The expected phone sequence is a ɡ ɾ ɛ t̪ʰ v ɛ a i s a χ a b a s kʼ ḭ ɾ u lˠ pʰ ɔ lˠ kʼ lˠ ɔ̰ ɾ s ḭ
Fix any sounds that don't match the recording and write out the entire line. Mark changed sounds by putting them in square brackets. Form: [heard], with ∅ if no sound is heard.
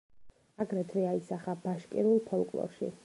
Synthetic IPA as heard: a ɡ ɾ ɛ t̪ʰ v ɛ a i s a χ a b a [ʃ] kʼ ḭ ɾ u lˠ pʰ ɔ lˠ kʼ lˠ ɔ̰ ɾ [ʃ] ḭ